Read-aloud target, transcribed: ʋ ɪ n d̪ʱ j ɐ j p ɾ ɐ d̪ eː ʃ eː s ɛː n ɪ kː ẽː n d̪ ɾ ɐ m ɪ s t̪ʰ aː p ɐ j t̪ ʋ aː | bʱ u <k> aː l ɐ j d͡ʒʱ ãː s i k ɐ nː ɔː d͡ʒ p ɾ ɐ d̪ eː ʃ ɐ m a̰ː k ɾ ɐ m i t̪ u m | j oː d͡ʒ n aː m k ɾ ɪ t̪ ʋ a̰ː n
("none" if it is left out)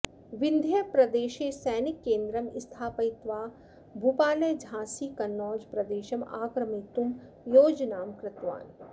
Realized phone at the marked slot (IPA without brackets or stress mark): p